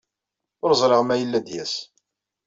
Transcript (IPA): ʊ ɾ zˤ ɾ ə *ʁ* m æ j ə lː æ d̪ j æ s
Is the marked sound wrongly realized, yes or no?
no